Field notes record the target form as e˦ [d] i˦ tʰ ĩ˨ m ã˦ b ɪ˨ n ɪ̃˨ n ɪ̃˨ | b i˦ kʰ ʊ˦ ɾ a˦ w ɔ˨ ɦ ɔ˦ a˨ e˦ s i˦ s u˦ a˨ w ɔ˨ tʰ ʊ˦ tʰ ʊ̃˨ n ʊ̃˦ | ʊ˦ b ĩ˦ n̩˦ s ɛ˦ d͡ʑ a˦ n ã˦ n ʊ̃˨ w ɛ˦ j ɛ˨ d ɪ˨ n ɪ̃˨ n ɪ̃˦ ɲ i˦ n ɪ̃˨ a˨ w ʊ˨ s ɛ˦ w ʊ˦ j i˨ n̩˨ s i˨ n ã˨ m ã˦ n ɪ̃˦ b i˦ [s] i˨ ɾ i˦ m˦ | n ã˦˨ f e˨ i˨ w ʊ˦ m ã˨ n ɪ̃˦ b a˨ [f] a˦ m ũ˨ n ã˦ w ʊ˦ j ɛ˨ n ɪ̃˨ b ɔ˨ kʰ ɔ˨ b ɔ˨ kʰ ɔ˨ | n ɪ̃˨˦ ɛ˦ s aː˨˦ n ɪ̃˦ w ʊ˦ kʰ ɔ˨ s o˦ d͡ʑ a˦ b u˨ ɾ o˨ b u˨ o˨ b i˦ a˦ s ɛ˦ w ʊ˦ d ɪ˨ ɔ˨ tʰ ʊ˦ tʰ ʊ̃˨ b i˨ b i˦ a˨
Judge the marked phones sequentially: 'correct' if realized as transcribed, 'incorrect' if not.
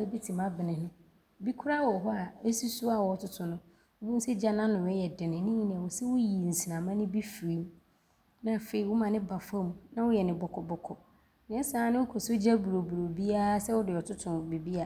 incorrect: b, incorrect: f, correct

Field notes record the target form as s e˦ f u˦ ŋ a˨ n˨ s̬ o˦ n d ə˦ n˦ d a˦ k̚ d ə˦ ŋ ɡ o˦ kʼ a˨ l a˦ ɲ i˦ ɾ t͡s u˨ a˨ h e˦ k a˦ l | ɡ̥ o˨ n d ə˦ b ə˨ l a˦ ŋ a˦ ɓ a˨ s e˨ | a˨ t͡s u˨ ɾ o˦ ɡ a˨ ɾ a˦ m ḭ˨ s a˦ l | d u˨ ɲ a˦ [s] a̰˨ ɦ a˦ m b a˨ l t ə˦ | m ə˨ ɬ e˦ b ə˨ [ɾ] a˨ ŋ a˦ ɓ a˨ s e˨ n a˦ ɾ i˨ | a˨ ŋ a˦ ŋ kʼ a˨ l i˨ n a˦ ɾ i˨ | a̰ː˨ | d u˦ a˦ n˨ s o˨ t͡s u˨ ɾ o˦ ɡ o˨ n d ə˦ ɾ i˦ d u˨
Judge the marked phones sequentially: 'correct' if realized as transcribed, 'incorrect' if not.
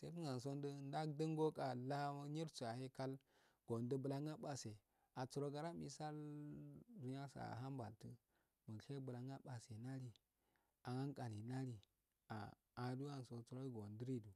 correct, incorrect: l

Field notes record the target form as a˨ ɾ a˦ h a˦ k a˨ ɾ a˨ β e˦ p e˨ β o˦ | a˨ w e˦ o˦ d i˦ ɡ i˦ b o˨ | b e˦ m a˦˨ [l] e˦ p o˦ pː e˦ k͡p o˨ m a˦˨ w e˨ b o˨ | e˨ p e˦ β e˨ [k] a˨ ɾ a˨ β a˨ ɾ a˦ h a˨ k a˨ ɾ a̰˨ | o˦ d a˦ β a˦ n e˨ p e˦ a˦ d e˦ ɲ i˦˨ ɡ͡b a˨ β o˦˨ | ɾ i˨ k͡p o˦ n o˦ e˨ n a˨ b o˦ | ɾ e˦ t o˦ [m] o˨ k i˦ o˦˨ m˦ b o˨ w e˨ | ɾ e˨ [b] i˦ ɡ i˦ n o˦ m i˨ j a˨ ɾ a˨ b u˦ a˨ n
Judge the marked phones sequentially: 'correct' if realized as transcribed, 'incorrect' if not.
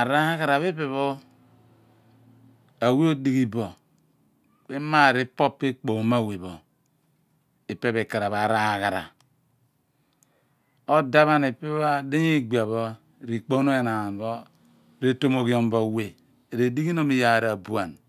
incorrect: ɾ, correct, correct, incorrect: d

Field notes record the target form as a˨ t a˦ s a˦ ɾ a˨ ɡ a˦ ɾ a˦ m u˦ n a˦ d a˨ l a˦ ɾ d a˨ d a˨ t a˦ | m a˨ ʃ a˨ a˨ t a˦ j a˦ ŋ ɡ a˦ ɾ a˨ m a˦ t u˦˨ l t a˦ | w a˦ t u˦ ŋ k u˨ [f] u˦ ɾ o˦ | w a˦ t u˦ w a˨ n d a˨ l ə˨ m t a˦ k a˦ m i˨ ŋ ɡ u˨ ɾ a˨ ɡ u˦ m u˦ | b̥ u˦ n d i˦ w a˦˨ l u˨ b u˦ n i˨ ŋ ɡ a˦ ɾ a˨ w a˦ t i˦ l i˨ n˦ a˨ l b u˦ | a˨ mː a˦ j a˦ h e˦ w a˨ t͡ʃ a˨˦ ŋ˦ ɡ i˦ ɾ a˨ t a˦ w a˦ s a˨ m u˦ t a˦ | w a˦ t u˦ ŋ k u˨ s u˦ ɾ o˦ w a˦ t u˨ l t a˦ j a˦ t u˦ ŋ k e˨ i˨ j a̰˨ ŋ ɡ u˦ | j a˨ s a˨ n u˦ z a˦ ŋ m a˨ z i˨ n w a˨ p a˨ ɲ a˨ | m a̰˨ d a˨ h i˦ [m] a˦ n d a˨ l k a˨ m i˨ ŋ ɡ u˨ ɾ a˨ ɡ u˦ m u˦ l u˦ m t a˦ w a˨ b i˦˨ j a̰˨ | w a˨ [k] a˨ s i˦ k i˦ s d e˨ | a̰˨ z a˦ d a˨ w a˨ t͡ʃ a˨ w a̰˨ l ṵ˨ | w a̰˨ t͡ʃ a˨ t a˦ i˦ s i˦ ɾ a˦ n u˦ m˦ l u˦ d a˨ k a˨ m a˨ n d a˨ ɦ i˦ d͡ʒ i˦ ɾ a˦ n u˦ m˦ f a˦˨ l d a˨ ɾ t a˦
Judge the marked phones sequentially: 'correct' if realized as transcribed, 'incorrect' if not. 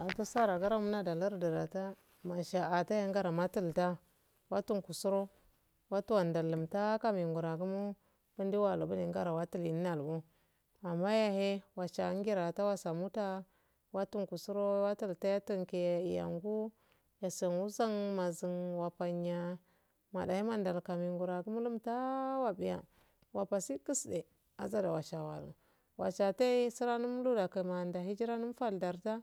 incorrect: s, correct, incorrect: p

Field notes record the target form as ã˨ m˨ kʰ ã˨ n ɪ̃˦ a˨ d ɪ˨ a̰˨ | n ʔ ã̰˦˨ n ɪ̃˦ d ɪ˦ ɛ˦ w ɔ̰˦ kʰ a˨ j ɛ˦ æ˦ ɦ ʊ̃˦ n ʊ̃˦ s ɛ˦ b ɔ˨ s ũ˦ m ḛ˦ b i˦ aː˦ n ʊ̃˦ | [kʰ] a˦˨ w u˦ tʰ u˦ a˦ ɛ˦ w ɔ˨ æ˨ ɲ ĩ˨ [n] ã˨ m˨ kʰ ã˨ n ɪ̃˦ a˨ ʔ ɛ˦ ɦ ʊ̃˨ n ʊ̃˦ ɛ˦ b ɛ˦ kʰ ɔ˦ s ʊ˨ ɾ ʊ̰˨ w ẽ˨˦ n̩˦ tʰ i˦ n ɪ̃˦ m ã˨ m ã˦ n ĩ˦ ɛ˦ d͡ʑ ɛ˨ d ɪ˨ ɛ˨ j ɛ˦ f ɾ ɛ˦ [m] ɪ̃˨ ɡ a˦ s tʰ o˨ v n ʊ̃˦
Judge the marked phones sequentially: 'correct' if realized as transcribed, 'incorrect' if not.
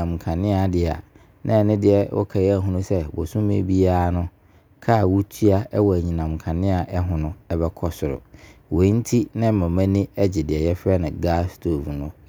correct, correct, incorrect: n

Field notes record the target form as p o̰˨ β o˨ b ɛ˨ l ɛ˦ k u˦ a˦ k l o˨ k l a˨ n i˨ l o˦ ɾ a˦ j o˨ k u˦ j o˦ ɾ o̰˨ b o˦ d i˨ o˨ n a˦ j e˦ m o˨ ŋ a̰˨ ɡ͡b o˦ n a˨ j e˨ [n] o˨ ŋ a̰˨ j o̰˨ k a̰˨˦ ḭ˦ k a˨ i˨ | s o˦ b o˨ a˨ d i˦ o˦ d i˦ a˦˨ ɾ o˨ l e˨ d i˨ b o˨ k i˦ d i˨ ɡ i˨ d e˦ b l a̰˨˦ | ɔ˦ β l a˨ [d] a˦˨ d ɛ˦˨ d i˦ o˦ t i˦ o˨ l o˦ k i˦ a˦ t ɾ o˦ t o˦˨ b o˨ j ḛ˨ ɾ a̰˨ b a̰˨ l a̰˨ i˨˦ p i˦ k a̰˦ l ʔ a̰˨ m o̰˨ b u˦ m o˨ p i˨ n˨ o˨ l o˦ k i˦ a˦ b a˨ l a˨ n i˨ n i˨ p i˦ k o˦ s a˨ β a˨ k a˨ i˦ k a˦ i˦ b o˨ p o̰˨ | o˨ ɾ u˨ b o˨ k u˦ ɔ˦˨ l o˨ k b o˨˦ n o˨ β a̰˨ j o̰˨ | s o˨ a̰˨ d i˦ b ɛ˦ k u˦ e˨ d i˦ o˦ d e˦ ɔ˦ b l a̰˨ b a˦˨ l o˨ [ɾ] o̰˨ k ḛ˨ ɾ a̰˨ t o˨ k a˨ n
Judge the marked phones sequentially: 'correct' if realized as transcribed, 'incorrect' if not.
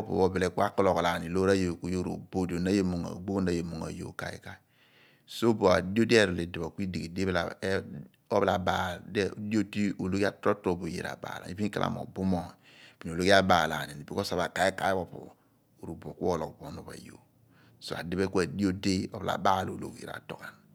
incorrect: m, incorrect: b, incorrect: l

